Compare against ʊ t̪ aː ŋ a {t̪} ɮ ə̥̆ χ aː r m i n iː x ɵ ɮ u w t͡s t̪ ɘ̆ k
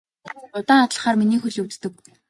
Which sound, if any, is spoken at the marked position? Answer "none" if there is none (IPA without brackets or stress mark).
t̪